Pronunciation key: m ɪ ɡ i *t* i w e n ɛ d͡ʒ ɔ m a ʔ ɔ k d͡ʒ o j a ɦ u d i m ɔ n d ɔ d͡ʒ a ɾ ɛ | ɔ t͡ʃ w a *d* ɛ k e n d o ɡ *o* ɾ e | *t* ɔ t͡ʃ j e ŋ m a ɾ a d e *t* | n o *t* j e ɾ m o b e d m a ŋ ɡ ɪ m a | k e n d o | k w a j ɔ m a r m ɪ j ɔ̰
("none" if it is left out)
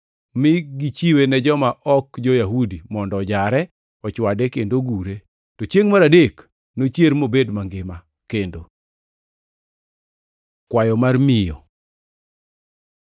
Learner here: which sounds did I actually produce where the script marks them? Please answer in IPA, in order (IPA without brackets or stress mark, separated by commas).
t͡ʃ, d, u, t, k, t͡ʃ